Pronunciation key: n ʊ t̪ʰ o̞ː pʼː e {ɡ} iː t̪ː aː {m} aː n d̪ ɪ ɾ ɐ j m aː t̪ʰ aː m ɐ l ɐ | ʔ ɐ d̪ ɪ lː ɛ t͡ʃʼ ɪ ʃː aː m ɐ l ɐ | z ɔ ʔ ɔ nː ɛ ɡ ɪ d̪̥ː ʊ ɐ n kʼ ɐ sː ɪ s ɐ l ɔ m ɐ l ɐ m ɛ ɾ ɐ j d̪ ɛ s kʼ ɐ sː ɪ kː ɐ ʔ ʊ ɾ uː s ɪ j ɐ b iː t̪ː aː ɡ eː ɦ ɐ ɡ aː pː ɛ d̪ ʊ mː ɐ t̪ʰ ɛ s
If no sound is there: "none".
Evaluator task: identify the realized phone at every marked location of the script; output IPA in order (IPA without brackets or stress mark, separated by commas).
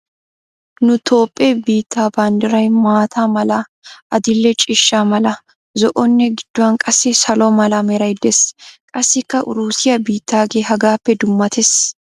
b, b